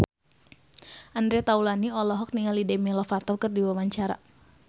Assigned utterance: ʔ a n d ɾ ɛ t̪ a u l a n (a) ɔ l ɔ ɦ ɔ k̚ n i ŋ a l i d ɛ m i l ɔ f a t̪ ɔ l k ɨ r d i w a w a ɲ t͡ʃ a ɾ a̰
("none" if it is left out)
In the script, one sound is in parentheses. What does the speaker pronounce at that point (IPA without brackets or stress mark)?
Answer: i